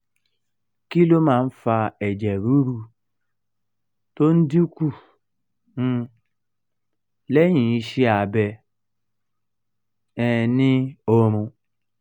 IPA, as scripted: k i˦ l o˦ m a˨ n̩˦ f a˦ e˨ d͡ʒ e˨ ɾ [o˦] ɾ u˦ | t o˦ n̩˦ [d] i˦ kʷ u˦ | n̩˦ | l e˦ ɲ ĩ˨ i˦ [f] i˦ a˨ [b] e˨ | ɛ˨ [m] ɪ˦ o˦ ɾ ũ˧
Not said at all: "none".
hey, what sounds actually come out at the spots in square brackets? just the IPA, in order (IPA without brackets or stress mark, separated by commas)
u˦, d, ʃ, b, n